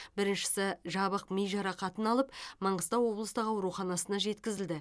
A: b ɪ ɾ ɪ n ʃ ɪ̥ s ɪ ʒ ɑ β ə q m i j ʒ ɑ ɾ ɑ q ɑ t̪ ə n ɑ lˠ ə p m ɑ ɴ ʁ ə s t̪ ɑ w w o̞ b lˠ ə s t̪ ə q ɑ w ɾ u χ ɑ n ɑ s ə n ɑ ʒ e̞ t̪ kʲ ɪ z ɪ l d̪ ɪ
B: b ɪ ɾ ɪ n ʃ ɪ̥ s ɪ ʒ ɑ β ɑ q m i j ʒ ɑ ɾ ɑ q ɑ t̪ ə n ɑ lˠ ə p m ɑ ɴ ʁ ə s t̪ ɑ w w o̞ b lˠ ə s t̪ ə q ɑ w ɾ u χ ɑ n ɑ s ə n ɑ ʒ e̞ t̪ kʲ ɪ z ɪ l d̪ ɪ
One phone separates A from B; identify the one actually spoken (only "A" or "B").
A